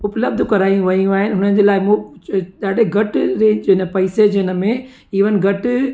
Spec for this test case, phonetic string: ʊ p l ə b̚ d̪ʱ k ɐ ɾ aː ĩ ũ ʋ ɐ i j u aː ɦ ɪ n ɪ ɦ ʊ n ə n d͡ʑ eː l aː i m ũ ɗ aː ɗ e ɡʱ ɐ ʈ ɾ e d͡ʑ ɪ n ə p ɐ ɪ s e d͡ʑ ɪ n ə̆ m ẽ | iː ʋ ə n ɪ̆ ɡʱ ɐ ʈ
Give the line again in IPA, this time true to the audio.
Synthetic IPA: ʊ p l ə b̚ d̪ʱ k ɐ ɾ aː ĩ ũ ʋ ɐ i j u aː ɦ ɪ n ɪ ɦ ʊ n ə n d͡ʑ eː l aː ɪ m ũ ɗ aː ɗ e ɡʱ ɐ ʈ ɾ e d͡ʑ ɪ n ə p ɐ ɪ s e d͡ʑ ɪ n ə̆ m ẽ | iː ʋ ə n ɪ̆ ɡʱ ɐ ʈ